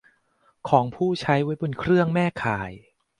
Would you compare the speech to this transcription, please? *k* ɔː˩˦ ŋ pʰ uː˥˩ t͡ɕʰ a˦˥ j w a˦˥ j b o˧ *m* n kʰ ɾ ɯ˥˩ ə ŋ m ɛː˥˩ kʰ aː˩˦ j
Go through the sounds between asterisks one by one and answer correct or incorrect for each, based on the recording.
incorrect: kʰ, incorrect: none

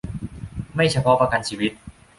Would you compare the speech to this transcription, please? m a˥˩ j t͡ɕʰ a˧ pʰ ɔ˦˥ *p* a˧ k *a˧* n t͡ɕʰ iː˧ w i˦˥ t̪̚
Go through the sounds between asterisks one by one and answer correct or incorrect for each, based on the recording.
correct, correct

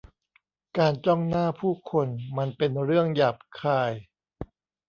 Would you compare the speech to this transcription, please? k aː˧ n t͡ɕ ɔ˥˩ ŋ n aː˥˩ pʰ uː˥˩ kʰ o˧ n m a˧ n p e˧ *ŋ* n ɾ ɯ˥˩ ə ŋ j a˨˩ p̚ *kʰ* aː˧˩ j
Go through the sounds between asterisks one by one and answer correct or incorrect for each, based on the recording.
incorrect: none, correct

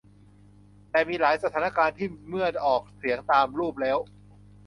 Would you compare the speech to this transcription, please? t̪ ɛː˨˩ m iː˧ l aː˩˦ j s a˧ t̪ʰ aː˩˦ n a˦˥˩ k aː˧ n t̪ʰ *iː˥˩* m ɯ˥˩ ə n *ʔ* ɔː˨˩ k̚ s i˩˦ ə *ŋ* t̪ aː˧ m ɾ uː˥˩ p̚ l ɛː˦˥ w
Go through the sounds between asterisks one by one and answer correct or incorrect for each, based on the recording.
correct, correct, correct

